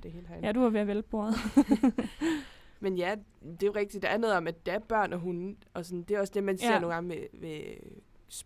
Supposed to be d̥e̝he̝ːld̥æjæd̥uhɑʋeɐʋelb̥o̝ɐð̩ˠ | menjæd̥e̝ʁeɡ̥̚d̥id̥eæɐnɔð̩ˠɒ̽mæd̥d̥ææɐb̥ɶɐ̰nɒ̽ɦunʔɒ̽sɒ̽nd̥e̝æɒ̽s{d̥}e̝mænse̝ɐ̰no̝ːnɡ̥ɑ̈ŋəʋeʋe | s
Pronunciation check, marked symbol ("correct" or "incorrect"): correct